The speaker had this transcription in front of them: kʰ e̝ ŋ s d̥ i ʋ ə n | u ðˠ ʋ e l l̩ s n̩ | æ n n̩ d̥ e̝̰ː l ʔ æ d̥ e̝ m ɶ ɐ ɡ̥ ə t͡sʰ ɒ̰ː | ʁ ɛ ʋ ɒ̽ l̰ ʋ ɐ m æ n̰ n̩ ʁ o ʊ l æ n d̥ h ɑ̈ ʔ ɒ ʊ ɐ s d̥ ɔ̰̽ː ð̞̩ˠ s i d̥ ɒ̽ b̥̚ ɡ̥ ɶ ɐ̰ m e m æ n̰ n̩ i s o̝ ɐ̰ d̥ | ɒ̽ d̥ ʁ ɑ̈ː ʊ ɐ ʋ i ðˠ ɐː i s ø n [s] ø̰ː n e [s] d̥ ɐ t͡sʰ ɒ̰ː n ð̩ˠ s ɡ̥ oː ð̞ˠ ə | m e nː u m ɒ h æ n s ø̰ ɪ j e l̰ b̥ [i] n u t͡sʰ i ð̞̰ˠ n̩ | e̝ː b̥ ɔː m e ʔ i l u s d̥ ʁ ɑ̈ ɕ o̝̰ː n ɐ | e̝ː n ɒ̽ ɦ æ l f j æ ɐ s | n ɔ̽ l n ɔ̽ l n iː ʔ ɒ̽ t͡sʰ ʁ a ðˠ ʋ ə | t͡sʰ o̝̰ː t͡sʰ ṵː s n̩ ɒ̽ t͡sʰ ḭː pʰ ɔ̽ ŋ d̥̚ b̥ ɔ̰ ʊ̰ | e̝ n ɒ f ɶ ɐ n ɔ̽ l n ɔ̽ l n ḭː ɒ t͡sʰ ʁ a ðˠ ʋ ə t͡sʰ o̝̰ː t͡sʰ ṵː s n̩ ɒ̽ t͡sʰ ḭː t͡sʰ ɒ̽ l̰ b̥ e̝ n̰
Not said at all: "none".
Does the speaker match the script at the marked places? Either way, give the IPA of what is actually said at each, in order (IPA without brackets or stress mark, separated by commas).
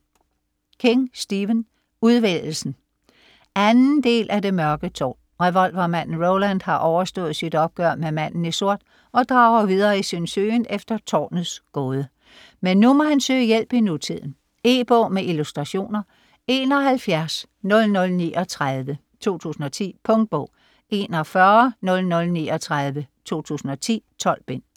s, f, i